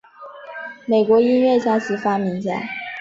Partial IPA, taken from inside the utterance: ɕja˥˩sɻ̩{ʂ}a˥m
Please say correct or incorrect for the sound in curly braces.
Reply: incorrect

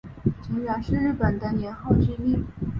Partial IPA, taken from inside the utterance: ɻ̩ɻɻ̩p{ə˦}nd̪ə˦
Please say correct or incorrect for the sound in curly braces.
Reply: incorrect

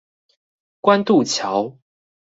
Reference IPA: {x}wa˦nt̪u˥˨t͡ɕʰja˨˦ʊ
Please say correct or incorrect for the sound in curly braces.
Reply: incorrect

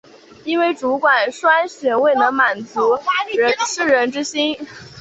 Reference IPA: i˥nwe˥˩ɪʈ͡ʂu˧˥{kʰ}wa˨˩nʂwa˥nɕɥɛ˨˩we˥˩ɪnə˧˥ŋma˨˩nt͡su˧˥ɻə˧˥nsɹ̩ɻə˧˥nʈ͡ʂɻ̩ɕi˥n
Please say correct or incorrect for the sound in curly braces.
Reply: incorrect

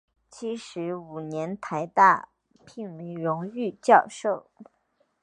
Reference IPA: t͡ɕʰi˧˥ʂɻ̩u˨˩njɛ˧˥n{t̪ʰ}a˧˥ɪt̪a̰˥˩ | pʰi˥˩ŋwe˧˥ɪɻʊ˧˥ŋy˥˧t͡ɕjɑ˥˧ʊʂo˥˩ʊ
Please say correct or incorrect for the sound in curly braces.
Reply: correct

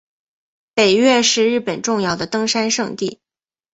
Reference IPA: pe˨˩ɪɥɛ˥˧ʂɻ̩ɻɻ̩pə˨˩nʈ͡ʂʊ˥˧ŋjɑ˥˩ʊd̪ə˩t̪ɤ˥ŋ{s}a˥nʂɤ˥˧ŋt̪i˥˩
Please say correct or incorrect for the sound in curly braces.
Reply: incorrect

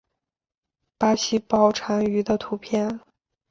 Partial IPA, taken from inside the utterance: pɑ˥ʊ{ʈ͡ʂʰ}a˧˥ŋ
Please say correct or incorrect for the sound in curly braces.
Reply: correct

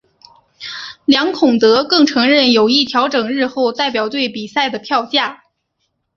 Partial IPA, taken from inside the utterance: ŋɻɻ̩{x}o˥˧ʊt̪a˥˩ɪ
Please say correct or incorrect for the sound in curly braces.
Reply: correct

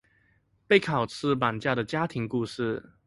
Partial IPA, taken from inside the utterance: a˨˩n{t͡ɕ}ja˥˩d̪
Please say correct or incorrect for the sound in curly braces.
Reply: correct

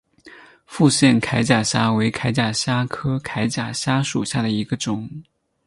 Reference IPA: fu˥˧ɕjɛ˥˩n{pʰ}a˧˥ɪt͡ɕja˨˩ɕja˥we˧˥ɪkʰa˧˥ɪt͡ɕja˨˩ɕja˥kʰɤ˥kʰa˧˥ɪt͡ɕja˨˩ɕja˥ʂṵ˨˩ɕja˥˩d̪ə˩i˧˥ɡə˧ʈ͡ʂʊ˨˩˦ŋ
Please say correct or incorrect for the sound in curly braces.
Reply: incorrect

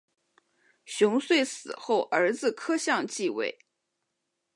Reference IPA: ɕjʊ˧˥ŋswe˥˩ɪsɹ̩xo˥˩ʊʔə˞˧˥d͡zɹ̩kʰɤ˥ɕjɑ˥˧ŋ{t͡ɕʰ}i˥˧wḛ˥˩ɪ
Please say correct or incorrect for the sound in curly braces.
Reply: incorrect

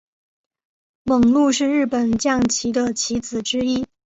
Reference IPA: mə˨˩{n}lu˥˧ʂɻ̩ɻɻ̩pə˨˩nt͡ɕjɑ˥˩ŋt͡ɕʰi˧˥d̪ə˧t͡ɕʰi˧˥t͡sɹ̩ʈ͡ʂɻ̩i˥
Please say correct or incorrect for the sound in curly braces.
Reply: incorrect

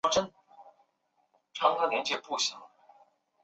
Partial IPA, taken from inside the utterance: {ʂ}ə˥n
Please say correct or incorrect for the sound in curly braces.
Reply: incorrect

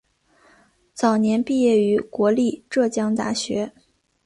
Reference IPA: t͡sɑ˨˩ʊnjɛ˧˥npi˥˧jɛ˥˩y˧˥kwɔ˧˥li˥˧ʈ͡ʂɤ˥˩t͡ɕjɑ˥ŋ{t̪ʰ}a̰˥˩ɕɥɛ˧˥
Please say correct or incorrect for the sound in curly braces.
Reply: incorrect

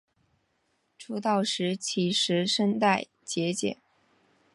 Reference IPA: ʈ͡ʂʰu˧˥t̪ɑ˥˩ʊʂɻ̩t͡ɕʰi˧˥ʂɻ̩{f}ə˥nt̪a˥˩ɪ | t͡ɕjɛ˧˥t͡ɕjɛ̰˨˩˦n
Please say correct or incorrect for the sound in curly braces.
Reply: incorrect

